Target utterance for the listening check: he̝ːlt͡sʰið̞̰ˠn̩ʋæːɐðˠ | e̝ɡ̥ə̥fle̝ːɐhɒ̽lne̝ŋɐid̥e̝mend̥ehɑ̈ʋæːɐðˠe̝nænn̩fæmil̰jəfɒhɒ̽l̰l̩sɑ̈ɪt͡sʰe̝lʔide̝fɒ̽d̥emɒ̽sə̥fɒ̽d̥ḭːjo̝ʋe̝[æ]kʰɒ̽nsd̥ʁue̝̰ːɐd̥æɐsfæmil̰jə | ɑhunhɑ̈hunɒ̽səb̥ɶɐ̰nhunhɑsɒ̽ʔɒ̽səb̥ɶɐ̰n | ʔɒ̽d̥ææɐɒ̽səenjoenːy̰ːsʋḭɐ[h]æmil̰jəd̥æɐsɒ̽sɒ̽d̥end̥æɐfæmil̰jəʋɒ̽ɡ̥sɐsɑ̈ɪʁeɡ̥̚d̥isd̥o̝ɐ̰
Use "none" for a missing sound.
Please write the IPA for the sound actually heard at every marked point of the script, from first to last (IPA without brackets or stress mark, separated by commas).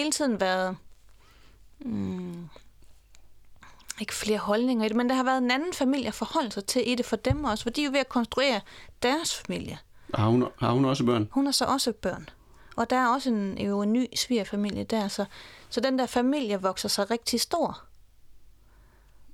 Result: æ, f